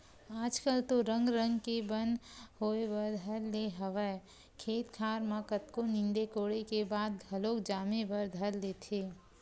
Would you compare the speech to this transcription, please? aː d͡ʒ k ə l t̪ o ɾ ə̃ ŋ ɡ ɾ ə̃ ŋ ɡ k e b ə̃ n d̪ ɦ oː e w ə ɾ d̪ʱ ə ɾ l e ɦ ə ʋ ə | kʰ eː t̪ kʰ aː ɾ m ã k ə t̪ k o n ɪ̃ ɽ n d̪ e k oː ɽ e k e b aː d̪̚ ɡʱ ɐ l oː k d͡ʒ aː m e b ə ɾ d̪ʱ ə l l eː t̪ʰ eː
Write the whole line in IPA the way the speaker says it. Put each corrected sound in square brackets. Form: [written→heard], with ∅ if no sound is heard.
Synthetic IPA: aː d͡ʒ k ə l t̪ o ɾ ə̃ ŋ ɡ ɾ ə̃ ŋ ɡ k e b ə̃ n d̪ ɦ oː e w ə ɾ d̪ʱ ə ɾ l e ɦ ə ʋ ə | kʰ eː t̪ kʰ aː ɾ m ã k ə t̪ k o n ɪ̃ [ɽ→∅] n d̪ e k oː ɽ e k e b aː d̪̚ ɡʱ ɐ l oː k d͡ʒ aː m e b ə ɾ d̪ʱ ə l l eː t̪ʰ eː